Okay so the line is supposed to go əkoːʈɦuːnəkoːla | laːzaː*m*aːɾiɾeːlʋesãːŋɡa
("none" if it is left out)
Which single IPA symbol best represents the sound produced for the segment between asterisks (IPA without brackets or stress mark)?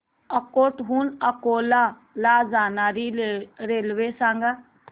n